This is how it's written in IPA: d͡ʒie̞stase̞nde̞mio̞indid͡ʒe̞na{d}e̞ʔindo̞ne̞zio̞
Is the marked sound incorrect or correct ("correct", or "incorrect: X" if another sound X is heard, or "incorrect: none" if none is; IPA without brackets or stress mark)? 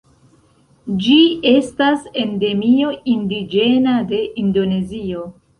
correct